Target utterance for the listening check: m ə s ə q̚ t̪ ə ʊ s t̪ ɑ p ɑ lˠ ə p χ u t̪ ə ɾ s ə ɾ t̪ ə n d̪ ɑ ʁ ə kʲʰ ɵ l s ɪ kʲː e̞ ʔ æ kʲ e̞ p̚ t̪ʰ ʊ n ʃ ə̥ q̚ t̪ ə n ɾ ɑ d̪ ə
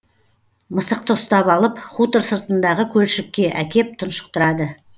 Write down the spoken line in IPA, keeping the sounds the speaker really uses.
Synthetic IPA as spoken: m ə s ə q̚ t̪ ə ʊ s t̪ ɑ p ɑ lˠ ə p χ u t̪ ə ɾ s ə ɾ t̪ ə n d̪ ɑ ʁ ə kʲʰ ɵ l ʃ ɪ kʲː e̞ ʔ æ kʲ e̞ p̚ t̪ʰ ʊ n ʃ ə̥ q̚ t̪ ə ɾ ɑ d̪ ə